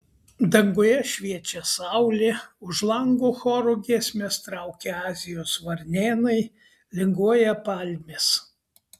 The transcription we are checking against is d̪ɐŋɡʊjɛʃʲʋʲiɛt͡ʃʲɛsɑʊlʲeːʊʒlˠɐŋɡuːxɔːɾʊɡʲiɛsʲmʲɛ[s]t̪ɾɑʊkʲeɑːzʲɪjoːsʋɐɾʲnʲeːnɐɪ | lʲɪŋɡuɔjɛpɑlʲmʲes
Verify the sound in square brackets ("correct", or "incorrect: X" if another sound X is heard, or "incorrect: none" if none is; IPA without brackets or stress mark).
correct